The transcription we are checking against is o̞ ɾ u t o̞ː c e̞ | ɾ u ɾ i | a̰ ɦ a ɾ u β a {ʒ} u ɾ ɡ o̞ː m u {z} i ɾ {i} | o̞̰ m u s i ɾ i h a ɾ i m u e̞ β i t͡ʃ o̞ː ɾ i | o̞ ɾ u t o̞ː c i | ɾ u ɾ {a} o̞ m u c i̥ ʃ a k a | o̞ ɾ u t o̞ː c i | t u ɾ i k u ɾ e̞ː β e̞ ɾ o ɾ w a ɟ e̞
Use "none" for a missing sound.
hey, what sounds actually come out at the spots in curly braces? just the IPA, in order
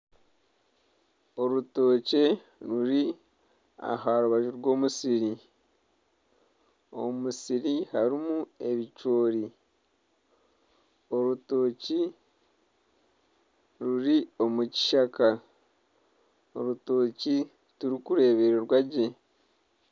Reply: ʒ, s, i, i

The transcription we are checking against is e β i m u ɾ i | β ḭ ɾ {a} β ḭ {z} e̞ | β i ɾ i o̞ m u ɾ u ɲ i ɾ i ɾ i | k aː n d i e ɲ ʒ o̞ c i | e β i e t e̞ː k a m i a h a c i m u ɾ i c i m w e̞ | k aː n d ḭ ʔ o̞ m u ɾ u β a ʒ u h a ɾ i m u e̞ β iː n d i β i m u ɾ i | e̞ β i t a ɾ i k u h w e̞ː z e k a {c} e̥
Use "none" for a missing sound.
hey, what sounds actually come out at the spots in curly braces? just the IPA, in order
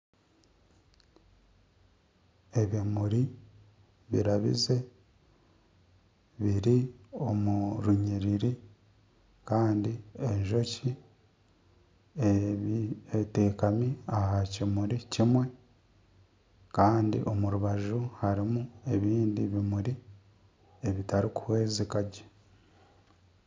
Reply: a, z, ɟ

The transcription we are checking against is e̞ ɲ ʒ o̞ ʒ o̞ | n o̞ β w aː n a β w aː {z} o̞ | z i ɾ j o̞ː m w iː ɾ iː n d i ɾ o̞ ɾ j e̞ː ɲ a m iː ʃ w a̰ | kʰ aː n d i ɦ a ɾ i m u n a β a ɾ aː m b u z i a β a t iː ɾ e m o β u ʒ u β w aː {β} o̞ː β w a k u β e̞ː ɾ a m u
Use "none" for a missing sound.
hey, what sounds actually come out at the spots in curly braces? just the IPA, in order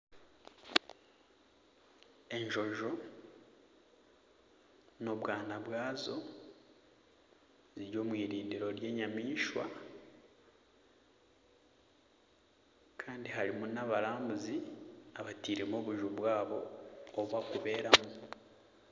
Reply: z, β

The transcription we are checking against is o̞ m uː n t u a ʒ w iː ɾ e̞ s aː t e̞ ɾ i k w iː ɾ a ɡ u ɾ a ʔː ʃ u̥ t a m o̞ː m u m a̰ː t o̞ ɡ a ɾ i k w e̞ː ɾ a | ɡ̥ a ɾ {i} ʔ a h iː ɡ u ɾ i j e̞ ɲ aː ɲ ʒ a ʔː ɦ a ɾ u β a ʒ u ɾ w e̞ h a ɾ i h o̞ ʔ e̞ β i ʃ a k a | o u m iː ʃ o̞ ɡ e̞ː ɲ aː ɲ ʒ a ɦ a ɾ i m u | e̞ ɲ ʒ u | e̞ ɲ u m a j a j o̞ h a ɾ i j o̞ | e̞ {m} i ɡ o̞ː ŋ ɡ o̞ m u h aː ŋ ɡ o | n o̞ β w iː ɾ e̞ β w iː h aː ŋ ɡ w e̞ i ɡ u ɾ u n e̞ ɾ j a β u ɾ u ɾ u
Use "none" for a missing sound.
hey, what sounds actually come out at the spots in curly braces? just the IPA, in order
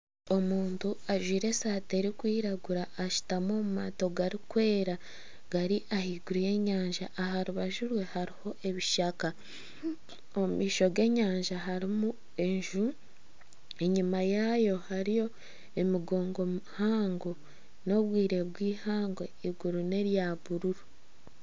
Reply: i, m

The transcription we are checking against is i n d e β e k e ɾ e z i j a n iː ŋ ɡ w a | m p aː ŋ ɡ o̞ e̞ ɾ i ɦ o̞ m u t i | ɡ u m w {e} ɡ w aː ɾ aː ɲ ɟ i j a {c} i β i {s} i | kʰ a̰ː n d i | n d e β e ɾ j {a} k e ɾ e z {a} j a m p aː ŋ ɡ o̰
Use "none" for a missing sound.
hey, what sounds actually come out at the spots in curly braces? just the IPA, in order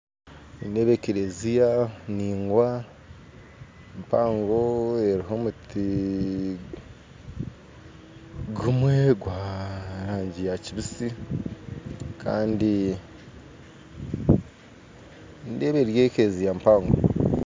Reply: e, c, s, e, i

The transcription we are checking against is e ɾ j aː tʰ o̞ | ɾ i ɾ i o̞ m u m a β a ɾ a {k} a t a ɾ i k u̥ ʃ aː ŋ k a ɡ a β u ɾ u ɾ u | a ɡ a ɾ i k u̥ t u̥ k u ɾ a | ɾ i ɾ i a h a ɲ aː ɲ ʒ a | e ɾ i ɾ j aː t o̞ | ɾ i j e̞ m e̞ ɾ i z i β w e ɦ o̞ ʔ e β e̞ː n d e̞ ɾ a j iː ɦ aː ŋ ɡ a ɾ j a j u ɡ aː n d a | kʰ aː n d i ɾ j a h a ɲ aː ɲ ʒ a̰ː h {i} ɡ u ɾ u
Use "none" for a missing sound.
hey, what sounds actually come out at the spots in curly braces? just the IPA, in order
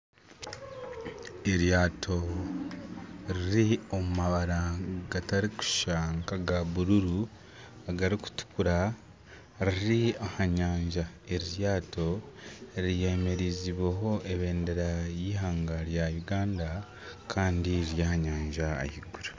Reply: ɡ, i

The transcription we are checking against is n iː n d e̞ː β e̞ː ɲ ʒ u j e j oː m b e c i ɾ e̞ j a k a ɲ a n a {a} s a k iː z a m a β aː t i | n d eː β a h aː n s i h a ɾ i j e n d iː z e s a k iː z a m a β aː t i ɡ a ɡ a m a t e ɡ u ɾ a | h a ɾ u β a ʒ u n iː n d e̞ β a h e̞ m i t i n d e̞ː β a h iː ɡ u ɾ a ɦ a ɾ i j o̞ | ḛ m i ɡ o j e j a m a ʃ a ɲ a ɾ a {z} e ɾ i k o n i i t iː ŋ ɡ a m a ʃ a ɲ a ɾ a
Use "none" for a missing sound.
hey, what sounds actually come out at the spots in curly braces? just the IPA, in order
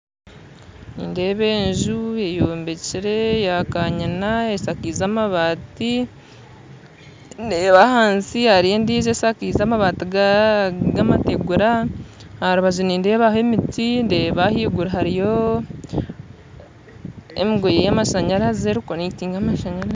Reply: e, z

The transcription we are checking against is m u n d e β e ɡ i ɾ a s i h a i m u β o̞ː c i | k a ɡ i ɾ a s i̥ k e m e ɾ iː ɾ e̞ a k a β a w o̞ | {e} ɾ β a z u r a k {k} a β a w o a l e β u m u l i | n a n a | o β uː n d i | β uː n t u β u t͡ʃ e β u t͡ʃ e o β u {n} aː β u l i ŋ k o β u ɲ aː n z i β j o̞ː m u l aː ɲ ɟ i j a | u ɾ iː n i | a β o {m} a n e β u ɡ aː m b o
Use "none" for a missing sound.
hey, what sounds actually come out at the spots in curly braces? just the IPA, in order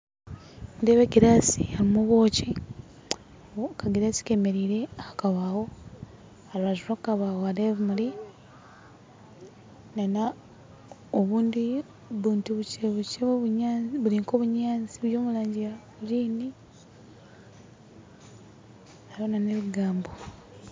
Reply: a, k, ɲ, n

